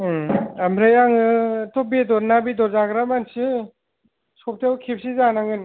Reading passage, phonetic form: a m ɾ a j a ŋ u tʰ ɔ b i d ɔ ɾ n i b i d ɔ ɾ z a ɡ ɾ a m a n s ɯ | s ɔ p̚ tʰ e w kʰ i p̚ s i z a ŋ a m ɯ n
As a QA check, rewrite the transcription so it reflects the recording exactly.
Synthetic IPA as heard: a m ɾ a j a ŋ ɯ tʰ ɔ b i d ɔ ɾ n a b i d ɔ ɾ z a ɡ ɾ a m a n s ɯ | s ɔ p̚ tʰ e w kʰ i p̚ s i z a n a ŋ ɯ n